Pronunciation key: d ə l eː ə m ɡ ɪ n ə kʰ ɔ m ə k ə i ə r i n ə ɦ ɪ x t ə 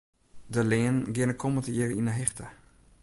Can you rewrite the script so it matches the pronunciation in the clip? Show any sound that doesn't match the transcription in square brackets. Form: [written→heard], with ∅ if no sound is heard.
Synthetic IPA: d ə l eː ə [m→n] ɡ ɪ n ə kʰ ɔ m ə [k→t] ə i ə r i n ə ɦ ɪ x t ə